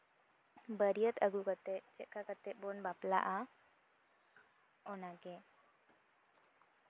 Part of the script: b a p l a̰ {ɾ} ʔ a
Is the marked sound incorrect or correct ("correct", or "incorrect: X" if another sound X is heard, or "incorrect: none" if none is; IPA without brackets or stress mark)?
incorrect: none